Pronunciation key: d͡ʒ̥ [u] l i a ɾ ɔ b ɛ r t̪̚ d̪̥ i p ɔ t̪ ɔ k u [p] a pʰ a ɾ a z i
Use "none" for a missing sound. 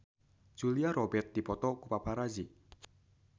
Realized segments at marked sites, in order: u, p

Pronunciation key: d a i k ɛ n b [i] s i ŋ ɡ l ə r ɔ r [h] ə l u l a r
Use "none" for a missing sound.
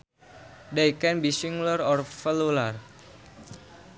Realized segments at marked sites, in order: i, f

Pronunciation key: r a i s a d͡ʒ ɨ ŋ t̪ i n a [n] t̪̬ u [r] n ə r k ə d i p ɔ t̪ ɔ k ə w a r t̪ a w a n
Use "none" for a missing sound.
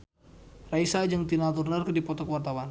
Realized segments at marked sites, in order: none, r

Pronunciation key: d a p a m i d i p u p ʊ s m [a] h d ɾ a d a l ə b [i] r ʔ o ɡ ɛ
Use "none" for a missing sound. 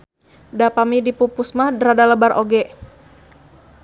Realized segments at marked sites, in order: a, a

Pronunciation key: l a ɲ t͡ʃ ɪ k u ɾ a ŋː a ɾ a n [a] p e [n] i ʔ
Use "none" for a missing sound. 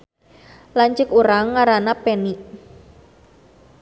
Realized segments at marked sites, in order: a, n

